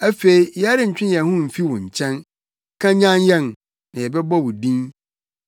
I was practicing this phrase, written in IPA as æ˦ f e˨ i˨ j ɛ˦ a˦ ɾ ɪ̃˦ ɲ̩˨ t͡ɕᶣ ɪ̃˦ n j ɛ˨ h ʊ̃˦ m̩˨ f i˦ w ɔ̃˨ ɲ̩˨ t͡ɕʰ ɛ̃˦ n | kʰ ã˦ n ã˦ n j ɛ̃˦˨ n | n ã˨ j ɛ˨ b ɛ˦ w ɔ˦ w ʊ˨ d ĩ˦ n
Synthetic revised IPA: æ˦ f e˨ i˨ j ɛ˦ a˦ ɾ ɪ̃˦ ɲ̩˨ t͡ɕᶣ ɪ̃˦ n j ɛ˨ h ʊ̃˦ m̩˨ f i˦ w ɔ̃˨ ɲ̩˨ t͡ɕʰ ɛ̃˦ n | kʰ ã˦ ɲ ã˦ n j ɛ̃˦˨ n | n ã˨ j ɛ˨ b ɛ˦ b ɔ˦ w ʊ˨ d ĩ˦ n